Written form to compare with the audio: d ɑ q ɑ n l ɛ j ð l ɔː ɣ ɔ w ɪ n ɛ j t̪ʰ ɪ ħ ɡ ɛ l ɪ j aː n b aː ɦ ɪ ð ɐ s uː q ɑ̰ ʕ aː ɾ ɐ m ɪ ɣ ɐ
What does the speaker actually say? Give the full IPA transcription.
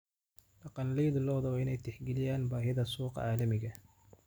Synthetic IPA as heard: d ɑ q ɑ n l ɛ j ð l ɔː ð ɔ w ɪ n ɛ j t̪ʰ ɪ ħ ɡ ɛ l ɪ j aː n b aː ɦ ɪ ð ɐ s uː q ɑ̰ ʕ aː l ɐ m ɪ ɣ ɐ

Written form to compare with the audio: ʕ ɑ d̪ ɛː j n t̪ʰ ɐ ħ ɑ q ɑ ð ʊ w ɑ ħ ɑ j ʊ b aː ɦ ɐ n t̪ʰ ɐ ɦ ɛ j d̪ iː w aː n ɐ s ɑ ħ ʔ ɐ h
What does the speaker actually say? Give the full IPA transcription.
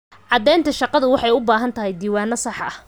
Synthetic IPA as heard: ʕ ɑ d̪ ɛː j n t̪ʰ ɐ ʃ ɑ q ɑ ð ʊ w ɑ ħ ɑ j ʊ b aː ɦ ɐ n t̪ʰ ɐ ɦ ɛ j d̪ iː w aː n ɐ s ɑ ħ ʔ ɐ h

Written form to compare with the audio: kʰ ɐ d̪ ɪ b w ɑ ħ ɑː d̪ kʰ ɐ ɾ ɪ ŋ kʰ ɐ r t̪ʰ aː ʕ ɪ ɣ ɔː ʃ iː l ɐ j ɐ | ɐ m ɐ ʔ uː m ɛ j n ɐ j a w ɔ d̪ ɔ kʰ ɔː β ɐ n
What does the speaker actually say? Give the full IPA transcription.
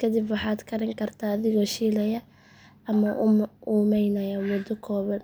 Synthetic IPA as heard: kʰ ɐ d̪ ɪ b w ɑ ħ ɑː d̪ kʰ ɐ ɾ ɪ ŋ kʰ ɐ r t̪ʰ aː ð ɪ ɣ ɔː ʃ iː l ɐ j ɐ | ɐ m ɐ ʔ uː m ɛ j n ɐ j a w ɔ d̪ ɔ kʰ ɔː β ɐ n

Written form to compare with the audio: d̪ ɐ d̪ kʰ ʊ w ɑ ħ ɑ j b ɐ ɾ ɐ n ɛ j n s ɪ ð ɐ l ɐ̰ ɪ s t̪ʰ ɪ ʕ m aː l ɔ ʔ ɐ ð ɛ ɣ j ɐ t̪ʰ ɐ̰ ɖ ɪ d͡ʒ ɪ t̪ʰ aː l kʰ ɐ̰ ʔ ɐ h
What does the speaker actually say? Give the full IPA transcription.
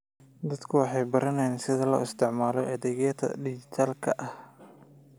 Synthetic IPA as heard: d̪ ɐ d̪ kʰ ʊ w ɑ ħ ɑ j b ɐ ɾ ɐ n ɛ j n s ɪ ð ɐ l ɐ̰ ɪ s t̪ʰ ɪ ʕ m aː l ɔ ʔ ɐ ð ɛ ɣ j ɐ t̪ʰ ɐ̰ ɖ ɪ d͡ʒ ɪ t̪ʰ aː l kʰ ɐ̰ ʔ ɐ h

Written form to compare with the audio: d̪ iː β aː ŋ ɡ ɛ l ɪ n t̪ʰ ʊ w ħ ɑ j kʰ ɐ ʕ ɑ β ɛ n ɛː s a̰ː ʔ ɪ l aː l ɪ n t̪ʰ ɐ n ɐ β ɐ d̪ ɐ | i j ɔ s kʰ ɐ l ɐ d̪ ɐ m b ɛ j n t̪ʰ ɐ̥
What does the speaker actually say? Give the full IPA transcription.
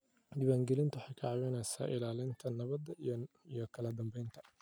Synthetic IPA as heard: d̪ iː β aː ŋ ɡ ɛ l ɪ n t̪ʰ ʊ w ħ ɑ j kʰ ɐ ʕ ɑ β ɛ n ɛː s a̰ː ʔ ɪ l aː l ɪ n t̪ʰ ɐ n ɐ β ɐ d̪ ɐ | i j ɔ kʰ ɐ l ɐ d̪ ɐ m b ɛ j n t̪ʰ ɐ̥

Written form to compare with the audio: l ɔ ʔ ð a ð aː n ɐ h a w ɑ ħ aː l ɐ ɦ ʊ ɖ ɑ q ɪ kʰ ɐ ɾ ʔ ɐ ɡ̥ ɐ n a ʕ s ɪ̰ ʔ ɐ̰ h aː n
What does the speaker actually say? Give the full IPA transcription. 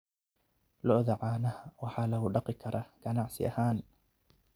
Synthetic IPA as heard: l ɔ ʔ ð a ʕ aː n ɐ h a w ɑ ħ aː l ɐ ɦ ʊ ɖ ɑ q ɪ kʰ ɐ ɾ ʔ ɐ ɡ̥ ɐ n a ʕ s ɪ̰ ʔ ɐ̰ h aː n

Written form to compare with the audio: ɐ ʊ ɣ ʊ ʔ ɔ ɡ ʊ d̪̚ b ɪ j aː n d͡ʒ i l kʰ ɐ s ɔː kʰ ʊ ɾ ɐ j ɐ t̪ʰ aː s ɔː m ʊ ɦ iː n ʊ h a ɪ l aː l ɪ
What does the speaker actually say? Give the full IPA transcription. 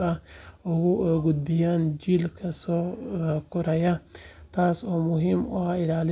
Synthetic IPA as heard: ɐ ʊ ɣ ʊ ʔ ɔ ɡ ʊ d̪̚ b ɪ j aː n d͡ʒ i l kʰ ɐ s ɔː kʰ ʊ ɾ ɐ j ɐ t̪ʰ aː s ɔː m ʊ ɦ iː m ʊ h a ɪ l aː l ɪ

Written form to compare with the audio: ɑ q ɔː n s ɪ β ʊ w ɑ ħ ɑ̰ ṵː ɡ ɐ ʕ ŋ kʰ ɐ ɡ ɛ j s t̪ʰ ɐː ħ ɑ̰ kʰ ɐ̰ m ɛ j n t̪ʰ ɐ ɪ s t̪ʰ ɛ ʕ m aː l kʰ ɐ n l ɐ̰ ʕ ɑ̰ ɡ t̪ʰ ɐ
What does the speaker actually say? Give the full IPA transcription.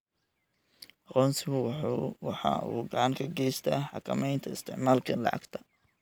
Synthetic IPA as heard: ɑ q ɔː n s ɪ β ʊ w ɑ ħ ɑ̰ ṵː ɡ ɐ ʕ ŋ kʰ ɐ ɡ ɛ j s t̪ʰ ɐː ħ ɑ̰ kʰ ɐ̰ m ɛ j n t̪ʰ ɐ ɪ s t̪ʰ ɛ ʕ m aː l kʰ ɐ n l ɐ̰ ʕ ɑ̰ ɡ t̪ʰ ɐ

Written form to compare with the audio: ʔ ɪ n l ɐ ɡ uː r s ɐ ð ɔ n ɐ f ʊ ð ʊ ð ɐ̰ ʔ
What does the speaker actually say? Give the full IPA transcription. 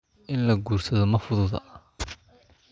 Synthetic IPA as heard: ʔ ɪ n l ɐ ɡ uː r s ɐ ð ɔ m ɐ f ʊ ð ʊ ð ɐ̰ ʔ

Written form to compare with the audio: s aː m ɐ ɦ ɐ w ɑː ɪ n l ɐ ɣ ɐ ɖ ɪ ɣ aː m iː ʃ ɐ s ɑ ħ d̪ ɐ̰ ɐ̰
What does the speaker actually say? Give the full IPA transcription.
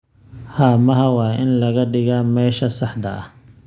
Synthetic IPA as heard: h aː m ɐ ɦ ɐ w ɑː ɪ n l ɐ ɣ ɐ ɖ ɪ ɣ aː m ɛː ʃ ɐ s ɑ ħ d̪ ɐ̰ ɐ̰

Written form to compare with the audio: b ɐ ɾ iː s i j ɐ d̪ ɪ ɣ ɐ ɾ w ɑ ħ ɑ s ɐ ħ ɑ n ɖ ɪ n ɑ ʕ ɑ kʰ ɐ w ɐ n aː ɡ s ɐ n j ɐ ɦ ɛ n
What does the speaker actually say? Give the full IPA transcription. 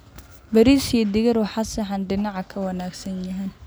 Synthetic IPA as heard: b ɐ ɾ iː s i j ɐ d̪ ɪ ɣ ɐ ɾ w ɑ ħ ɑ s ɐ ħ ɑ n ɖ ɪ n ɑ ʕ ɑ kʰ ɐ w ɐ n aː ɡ s ɐ n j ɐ ɦ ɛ n

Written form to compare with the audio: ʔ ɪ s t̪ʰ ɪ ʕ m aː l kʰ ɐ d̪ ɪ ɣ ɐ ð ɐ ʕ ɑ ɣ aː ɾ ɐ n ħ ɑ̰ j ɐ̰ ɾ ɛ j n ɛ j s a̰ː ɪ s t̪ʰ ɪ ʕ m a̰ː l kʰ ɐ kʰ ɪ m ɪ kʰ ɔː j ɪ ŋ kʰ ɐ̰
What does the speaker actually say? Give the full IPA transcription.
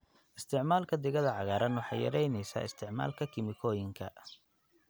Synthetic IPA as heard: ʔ ɪ s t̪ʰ ɪ ʕ m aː l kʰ ɐ d̪ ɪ ɣ ɐ ð ɐ ʕ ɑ ɣ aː ɾ ɐ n ħ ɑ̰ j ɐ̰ ɾ ɛ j n ɛ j s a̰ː ɪ s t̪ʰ ɪ ʕ m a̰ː l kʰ ɐ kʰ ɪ m ɪ kʰ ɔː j ɪ ŋ kʰ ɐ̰

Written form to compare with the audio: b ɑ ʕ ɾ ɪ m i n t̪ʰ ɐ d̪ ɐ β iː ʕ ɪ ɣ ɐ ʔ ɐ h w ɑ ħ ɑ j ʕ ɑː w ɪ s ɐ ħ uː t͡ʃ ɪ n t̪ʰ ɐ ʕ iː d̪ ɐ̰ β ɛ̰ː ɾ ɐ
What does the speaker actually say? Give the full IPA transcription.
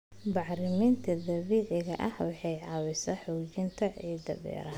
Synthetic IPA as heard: b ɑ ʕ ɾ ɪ m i n t̪ʰ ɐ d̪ ɐ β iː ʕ ɪ ɣ ɐ ʔ ɐ h w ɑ ħ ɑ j ʕ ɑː w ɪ s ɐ ħ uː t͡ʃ ɪ n t̪ʰ ɐ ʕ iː d̪ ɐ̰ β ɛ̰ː ɾ ɐ

